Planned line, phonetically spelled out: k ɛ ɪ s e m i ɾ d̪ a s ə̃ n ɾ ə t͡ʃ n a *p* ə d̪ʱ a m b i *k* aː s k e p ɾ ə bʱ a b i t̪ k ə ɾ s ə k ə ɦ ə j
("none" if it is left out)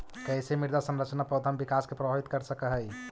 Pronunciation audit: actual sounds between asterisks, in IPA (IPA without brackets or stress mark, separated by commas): p, k